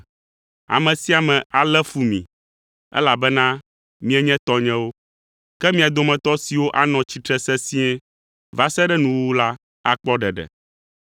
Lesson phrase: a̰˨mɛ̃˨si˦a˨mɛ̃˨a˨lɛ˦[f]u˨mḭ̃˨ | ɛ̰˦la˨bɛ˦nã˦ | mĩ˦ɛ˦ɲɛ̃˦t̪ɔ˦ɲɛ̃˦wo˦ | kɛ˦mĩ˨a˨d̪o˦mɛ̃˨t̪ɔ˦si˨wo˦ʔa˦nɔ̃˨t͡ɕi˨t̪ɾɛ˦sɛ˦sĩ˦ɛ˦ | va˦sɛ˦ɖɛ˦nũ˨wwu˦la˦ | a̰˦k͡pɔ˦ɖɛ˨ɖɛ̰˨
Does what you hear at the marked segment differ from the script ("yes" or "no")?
no